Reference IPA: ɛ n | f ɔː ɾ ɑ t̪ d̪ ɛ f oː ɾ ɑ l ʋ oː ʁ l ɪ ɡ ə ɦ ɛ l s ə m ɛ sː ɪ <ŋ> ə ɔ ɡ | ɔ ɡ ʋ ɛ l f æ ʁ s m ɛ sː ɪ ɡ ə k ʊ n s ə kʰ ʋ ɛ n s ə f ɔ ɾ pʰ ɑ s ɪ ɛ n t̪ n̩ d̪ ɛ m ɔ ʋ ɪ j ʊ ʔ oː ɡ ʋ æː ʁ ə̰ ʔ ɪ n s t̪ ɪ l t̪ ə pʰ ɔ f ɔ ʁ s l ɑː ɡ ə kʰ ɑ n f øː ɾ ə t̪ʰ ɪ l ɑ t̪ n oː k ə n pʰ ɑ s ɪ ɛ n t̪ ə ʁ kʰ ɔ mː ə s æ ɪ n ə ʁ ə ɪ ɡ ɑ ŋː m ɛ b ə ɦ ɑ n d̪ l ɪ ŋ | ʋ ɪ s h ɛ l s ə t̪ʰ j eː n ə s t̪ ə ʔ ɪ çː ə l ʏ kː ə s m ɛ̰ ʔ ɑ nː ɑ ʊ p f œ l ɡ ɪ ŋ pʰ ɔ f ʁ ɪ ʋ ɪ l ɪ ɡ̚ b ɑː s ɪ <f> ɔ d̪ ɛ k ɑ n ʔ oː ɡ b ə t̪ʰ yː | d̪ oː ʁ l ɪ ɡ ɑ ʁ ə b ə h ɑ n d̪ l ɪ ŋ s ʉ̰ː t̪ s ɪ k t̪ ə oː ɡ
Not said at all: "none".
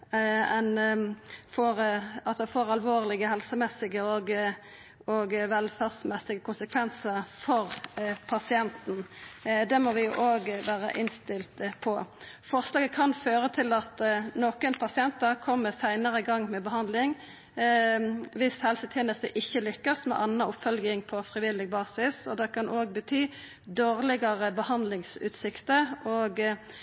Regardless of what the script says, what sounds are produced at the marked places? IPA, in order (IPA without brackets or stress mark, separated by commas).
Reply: ɡ, s